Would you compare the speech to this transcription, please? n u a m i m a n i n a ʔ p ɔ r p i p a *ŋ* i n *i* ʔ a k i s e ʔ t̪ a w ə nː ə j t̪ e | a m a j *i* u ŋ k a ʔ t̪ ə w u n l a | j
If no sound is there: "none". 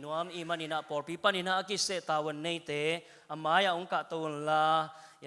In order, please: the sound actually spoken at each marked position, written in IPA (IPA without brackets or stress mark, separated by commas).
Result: n, a, a